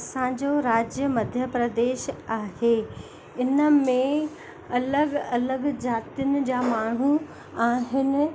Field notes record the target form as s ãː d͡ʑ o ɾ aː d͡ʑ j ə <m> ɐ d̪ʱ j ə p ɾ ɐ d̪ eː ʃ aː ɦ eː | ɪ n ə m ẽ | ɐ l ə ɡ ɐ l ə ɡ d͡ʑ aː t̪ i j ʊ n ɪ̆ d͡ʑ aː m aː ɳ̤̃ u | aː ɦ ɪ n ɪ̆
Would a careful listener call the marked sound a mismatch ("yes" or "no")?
no